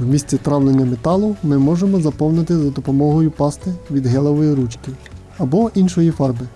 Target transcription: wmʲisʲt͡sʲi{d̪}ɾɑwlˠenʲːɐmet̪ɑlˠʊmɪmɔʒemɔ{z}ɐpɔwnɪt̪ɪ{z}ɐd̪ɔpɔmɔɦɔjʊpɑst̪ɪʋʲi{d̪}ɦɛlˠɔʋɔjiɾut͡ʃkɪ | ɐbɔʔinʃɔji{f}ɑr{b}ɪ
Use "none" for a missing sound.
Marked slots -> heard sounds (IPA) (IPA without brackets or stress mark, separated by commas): t̪, z, z, d̪, f, b